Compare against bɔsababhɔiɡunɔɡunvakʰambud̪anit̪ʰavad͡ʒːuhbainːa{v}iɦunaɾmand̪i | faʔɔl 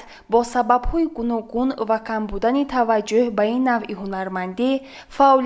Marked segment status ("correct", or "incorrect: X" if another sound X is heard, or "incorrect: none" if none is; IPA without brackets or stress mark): correct